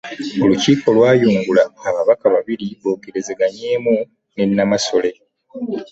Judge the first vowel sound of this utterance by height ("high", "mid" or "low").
mid